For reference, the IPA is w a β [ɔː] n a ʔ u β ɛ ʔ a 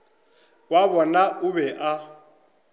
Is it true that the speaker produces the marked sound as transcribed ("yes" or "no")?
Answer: no